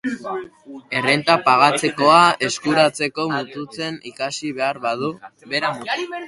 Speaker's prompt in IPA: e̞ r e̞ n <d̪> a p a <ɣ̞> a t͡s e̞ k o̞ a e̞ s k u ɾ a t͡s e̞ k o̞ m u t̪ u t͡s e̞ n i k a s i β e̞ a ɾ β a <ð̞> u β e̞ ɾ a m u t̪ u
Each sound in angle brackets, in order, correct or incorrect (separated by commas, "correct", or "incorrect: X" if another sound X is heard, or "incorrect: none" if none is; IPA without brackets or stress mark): incorrect: t̪, correct, correct